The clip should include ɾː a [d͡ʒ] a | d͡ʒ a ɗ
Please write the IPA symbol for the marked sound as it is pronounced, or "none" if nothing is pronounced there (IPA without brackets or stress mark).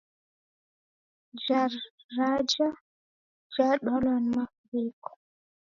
d͡ʒ